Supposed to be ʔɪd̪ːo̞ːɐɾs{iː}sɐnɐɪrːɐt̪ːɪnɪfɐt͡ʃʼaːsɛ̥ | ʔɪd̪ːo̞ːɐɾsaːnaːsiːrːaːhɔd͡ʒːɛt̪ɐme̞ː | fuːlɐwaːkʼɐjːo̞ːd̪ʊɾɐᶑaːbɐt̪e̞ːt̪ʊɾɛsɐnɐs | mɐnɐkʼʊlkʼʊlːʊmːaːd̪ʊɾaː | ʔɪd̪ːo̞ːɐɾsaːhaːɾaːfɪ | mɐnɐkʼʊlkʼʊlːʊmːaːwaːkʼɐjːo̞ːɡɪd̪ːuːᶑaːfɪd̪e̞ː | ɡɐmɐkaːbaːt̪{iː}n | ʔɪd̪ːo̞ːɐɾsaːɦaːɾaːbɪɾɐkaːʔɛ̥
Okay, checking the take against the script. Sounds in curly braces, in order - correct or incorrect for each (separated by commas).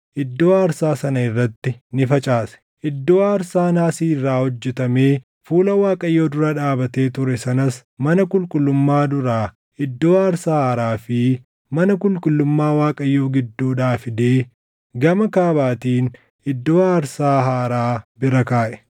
incorrect, correct